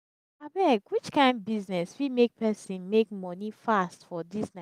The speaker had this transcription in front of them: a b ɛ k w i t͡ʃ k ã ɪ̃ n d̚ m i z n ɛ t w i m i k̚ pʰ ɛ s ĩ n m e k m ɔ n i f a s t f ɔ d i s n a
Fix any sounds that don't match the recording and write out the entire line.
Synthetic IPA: a b ɛ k w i t͡ʃ k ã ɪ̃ n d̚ b i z n ɛ s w i m e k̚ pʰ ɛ s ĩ n m e k m ɔ n i f a s t f ɔ d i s n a